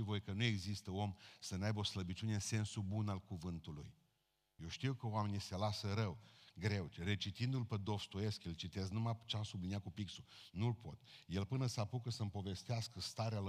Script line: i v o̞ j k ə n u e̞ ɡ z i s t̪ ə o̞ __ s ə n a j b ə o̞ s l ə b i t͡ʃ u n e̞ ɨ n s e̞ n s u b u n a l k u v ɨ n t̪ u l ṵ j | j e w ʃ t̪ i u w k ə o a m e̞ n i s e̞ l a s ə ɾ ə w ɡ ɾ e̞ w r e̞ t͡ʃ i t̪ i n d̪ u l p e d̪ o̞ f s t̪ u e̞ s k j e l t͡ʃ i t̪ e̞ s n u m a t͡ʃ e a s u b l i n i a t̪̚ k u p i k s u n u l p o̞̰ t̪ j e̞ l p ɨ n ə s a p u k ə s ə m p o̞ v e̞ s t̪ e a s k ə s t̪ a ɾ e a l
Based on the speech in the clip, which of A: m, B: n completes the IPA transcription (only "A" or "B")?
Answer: A